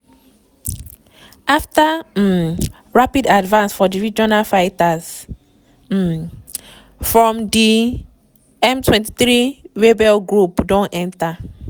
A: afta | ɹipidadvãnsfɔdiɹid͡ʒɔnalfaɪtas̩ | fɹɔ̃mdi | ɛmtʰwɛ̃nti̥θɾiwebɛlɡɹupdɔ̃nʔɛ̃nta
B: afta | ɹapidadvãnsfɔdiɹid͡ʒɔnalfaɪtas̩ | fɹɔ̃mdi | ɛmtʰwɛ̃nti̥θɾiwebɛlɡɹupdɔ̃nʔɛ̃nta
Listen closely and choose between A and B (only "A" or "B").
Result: B